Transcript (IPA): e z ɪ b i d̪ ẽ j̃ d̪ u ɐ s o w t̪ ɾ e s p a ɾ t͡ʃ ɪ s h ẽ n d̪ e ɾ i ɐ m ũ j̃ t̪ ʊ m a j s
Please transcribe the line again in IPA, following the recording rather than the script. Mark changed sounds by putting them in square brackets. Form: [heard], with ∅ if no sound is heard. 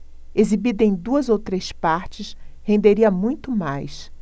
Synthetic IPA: e z [i] b i d̪ ẽ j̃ d̪ u ɐ [z] o w t̪ ɾ e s p a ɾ t͡ʃ ɪ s h ẽ n d̪ e ɾ i ɐ m ũ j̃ t̪ ʊ m a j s